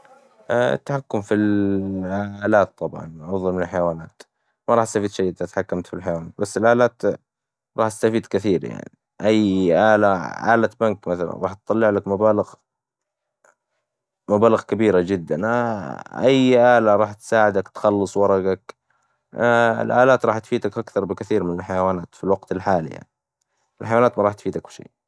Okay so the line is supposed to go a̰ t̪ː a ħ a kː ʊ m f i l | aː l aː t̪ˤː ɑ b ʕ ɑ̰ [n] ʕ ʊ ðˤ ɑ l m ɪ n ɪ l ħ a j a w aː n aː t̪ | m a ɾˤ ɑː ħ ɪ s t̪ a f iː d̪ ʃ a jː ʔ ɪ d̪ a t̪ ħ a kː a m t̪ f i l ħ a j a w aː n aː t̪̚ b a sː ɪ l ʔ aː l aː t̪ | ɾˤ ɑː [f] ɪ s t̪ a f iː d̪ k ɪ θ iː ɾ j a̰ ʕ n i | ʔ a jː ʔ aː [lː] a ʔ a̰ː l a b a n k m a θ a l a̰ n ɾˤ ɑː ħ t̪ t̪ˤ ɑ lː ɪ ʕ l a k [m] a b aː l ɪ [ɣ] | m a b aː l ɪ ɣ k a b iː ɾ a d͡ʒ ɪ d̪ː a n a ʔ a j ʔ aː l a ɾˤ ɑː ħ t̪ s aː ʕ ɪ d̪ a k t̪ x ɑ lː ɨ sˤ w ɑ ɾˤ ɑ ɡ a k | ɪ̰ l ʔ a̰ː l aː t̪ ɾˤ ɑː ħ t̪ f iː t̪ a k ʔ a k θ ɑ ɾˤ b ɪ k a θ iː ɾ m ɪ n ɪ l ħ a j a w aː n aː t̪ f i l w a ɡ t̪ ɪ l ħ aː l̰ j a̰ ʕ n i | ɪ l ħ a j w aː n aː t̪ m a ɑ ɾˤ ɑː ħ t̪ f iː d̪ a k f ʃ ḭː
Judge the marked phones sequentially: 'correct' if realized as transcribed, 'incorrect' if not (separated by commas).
correct, incorrect, incorrect, correct, correct